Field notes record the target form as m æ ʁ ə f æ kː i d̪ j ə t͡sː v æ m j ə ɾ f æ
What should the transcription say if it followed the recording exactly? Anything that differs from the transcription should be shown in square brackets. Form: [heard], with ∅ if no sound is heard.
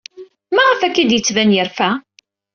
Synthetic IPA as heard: m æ ʁ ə f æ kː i d̪ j ə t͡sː v æ [n] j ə ɾ f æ